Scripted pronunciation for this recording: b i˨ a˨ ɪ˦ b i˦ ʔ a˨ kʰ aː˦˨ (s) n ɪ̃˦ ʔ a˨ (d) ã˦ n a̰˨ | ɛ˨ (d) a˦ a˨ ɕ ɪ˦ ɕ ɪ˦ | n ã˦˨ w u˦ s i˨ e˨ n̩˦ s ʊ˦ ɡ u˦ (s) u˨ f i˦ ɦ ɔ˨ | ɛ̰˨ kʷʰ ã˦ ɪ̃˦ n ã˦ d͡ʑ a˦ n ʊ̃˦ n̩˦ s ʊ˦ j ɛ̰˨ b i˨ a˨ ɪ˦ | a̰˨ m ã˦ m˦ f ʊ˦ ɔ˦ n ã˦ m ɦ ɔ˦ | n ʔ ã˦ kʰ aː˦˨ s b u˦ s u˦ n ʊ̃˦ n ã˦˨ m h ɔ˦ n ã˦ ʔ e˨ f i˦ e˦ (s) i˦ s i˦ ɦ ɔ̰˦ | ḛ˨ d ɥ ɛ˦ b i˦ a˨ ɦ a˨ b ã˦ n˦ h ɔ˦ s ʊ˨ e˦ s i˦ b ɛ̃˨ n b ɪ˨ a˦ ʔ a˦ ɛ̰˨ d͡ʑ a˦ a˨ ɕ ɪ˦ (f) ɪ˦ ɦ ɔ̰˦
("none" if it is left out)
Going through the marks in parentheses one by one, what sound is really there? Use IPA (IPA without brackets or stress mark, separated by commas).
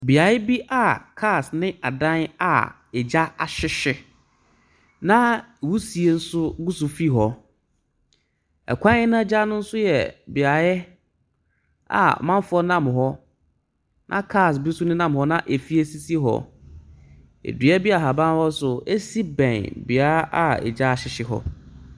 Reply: s, d, d͡ʑ, s, s, ɕ